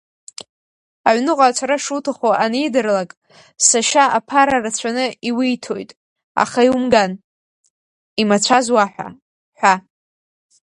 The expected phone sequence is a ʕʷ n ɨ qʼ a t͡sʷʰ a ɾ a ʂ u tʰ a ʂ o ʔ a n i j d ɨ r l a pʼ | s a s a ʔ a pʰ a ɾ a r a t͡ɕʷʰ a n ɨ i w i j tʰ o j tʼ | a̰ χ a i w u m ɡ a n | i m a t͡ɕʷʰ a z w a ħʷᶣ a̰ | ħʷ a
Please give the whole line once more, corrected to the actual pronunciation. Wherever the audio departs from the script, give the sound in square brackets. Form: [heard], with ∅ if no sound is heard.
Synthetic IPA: a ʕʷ n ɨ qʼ a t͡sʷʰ a ɾ a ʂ u tʰ a [χ] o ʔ a n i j d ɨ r l a [kʼ] | s a [ʃ] a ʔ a pʰ a ɾ a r a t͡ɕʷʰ a n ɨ i w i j tʰ o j tʼ | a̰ χ a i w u m ɡ a n | i m a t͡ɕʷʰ a z w a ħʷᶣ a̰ | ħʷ a